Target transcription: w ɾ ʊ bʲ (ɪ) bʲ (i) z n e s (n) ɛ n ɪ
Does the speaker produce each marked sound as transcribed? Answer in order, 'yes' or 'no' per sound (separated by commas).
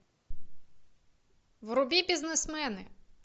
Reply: no, yes, no